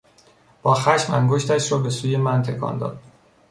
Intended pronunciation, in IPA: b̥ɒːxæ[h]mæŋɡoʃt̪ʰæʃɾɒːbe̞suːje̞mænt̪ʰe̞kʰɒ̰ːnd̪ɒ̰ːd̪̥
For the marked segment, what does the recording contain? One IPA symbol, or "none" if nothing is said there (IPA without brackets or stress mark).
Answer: ʃ